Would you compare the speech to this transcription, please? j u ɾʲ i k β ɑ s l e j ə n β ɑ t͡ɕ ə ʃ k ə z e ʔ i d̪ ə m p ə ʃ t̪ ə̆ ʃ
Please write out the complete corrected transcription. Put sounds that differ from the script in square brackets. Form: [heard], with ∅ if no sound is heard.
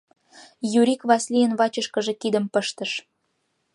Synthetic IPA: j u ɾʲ i k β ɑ s l [i] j ə n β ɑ t͡ɕ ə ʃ k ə [ʒ] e [k] i d̪ ə m p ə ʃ t̪ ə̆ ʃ